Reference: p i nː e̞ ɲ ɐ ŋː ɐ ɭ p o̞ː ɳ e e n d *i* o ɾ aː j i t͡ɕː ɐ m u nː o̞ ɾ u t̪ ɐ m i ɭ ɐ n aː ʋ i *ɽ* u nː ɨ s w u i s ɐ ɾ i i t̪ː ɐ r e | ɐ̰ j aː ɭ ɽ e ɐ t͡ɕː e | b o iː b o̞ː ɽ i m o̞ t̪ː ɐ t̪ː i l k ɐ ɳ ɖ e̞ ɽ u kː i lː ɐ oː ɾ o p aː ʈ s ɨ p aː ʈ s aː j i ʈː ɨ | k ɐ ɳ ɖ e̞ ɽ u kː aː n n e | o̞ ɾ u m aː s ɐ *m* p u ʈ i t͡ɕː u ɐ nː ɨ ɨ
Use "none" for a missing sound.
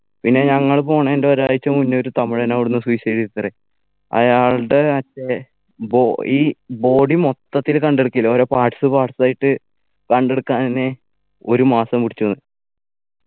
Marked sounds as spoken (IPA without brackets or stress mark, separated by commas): e, ɽ, m